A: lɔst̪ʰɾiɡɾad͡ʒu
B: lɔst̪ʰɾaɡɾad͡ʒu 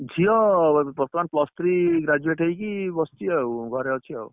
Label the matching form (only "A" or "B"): A